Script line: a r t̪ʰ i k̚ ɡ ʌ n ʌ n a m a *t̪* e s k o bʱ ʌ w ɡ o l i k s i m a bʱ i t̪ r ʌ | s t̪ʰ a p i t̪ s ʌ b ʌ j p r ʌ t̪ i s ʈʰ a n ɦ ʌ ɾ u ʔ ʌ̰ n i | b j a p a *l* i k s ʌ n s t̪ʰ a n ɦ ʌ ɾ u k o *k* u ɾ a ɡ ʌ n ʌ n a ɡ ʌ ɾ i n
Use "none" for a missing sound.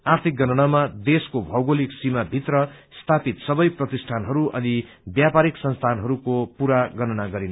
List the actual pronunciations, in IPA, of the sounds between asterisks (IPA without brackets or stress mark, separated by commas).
d̪, ɾ, p